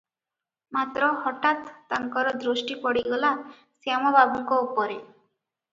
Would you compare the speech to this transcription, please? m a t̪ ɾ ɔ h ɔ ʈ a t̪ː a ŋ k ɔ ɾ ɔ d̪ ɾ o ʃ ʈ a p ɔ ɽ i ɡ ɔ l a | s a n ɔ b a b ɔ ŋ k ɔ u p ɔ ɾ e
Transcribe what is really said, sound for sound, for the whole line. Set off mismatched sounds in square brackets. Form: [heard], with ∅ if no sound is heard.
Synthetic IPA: m a t̪ ɾ ɔ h ɔ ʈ a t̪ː a ŋ k ɔ ɾ ɔ d̪ ɾ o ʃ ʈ [i] p ɔ ɽ i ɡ ɔ l a | s a [m] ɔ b a b ɔ ŋ k ɔ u p ɔ ɾ e